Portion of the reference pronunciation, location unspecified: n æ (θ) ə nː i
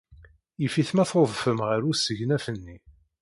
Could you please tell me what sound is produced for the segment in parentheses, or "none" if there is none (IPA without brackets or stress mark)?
f